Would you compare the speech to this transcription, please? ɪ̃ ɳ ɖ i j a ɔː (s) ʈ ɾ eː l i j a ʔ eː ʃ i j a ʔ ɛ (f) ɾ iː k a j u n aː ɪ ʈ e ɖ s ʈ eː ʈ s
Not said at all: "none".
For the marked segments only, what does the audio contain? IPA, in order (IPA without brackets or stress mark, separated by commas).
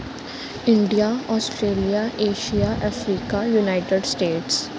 s, f